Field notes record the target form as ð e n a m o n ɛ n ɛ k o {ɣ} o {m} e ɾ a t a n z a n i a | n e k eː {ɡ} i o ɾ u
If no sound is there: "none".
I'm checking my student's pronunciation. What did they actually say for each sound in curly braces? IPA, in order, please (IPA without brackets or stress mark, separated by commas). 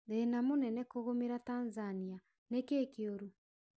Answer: ɣ, m, k